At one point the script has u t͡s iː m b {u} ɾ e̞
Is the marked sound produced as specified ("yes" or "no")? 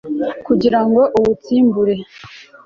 yes